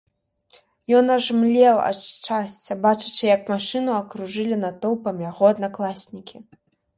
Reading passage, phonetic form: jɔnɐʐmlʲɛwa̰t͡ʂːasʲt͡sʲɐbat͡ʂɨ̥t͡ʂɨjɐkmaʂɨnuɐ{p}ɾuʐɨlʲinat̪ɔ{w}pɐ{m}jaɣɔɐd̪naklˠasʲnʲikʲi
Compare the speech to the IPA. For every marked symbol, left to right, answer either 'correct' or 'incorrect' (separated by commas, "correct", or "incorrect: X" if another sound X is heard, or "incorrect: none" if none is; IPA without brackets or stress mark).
incorrect: k, correct, correct